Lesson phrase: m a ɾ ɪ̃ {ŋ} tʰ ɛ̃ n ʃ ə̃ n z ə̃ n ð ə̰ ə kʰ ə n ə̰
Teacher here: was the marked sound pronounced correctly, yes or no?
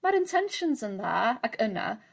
no